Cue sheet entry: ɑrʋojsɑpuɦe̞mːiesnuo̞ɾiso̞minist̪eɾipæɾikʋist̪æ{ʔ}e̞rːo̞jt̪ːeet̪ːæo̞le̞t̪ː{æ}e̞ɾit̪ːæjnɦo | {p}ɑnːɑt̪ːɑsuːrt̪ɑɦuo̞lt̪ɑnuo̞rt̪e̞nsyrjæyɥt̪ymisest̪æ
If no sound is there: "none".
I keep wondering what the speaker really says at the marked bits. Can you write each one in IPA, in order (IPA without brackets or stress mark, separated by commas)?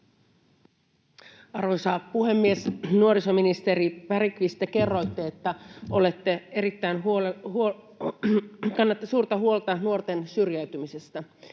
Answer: k, e, k